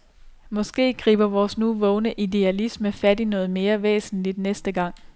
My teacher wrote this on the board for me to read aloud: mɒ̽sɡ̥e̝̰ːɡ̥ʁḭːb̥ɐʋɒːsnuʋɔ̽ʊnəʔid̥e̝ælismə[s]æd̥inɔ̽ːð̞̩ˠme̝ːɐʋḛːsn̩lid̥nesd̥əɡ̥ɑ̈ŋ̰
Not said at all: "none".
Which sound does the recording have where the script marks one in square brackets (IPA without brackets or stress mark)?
f